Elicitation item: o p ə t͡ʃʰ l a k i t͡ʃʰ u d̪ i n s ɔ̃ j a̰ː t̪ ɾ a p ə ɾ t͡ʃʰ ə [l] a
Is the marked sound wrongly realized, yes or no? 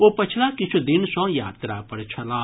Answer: no